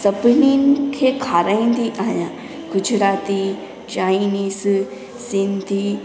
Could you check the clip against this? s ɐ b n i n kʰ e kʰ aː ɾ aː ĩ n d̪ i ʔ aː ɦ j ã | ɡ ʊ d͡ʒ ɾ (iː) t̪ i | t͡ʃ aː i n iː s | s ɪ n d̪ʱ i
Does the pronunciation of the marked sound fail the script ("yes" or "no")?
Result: yes